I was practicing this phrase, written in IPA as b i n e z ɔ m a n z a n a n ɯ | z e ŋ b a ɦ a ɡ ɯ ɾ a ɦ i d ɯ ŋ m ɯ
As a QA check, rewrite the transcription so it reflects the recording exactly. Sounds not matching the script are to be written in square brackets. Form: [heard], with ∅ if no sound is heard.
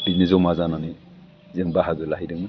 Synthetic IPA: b i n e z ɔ m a [∅] z a n a n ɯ | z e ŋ b a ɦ a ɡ ɯ [l] a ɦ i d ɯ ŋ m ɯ